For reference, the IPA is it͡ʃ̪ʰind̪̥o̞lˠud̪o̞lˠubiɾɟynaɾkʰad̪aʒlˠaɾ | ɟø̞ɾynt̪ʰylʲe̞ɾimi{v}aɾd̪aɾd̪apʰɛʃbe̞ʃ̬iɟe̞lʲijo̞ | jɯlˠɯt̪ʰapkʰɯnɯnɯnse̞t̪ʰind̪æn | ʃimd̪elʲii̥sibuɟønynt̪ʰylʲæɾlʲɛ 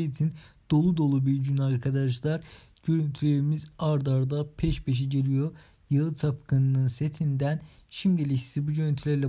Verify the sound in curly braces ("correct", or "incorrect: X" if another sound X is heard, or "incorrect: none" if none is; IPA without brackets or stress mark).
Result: incorrect: z